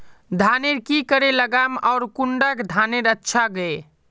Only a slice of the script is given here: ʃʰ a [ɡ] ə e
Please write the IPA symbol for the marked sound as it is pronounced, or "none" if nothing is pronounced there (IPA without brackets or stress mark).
ɡ